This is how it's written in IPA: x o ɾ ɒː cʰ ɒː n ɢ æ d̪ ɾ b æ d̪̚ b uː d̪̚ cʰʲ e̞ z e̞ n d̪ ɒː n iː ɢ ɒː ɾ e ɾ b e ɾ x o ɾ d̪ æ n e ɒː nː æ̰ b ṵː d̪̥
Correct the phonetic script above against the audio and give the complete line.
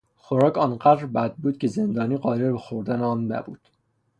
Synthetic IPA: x o ɾ ɒː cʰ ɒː n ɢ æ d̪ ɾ b æ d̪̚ b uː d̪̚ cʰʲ e̞ z e̞ n d̪ ɒː n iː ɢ ɒː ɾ e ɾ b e x o ɾ d̪ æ n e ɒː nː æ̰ b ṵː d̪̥